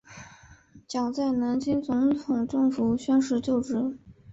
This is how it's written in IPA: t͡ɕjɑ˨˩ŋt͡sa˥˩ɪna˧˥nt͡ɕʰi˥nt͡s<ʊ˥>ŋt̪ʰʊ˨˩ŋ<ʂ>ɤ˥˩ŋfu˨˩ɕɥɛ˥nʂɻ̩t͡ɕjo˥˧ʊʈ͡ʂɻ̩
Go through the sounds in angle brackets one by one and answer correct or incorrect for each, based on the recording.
incorrect, incorrect

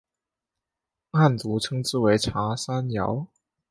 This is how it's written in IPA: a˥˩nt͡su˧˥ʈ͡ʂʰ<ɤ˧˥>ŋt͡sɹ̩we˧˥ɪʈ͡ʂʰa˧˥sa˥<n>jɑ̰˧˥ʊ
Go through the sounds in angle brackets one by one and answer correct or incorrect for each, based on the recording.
incorrect, correct

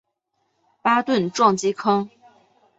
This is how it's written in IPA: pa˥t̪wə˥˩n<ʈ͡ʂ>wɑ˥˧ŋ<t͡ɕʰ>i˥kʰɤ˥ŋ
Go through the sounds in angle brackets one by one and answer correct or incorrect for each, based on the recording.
correct, incorrect

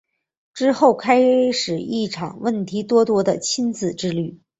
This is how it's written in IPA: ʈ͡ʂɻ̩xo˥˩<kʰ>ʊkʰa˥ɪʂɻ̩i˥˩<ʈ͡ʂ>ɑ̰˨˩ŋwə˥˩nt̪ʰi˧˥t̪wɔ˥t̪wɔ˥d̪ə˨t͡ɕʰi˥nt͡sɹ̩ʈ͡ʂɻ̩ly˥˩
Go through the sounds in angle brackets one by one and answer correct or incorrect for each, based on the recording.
incorrect, incorrect

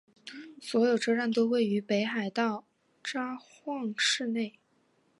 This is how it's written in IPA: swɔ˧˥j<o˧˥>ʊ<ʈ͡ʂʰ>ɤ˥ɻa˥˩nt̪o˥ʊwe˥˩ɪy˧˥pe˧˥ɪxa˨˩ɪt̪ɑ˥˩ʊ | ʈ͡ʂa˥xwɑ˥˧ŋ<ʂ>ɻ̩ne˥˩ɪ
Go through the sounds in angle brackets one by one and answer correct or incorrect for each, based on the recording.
incorrect, incorrect, correct

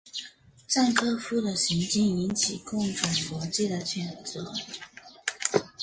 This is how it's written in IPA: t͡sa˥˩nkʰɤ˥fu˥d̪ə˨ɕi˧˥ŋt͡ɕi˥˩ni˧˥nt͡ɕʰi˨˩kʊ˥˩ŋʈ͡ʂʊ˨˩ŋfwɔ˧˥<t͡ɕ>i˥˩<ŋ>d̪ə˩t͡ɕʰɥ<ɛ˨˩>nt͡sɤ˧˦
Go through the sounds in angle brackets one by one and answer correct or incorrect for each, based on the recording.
correct, incorrect, correct

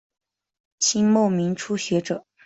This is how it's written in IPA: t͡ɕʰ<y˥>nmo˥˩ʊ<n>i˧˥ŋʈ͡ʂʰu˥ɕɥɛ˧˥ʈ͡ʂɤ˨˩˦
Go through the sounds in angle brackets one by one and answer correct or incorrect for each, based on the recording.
incorrect, incorrect

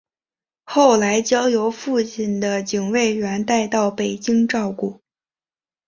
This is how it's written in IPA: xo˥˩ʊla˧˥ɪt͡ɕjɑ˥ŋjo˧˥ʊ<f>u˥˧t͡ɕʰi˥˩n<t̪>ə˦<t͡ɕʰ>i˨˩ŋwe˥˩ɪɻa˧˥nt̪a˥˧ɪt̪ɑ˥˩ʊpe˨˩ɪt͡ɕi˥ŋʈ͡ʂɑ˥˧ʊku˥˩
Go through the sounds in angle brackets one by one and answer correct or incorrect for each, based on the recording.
correct, incorrect, incorrect

